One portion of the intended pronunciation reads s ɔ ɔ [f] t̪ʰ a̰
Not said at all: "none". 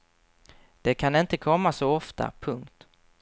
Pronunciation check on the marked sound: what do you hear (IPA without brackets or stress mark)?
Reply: f